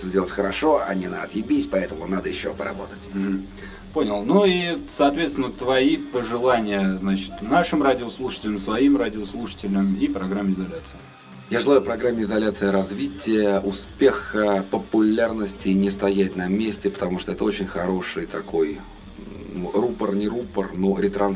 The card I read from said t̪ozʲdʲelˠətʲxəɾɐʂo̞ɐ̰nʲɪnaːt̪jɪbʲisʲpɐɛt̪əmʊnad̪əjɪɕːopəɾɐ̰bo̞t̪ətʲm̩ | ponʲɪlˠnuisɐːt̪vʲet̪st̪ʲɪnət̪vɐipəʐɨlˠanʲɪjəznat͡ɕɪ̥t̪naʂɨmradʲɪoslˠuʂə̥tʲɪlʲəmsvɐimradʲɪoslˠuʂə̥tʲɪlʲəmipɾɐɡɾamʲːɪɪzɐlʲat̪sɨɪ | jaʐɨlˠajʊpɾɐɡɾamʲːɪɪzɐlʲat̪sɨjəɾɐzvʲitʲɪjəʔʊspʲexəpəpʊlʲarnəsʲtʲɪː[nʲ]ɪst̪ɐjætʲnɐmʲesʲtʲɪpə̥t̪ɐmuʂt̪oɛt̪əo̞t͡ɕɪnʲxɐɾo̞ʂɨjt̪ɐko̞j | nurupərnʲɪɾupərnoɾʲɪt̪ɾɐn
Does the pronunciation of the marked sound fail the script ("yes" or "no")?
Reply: no